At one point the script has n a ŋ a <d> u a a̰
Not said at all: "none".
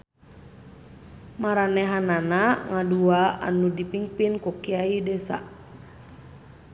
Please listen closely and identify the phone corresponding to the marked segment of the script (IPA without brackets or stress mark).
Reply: d